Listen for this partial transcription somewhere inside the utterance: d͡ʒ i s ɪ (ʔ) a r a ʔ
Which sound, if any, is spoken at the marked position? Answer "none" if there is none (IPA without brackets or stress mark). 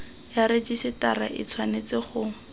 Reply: t